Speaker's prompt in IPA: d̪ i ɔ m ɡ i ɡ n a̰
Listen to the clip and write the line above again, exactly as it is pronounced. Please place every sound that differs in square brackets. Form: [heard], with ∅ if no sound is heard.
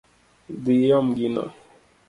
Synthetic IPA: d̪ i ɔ m ɡ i [∅] n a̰